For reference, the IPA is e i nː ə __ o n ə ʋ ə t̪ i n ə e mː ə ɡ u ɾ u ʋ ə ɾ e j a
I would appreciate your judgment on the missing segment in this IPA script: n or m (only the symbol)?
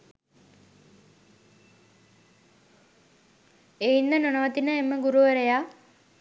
n